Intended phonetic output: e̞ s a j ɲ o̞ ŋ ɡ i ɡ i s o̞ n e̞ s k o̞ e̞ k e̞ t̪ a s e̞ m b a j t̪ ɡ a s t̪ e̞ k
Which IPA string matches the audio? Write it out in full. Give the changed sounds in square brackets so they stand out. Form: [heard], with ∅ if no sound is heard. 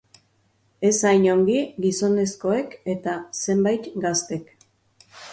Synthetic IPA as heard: e̞ s a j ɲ o̞ ŋ ɡ i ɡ i s o̞ n e̞ s k o̞ e̞ k e̞ t̪ a s e̞ m b a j t̪ ɡ a s t̪ e̞ k